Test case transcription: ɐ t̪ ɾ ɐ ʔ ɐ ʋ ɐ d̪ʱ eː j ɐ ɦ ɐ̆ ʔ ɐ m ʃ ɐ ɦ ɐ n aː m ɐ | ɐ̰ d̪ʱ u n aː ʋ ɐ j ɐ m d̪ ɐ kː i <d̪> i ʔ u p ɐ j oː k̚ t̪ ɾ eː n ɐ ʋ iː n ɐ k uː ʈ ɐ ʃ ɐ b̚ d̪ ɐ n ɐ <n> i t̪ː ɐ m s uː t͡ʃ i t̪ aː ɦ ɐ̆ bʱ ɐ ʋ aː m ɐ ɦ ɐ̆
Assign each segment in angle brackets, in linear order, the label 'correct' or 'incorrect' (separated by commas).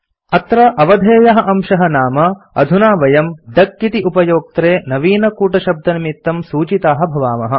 incorrect, incorrect